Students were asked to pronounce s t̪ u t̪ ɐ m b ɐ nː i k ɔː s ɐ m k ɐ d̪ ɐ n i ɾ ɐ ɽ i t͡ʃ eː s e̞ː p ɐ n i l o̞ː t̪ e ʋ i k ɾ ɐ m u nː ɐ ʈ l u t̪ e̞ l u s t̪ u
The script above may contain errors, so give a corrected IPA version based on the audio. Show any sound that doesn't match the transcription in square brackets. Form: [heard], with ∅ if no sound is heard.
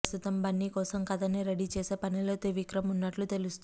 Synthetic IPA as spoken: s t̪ u t̪ ɐ m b ɐ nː i k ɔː s ɐ m k ɐ d̪ ɐ n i ɾ ɐ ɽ i t͡ʃ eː s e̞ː p ɐ n i l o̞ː t̪ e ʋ i k ɾ ɐ m u nː ɐ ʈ l u t̪ e̞ l u s t̪ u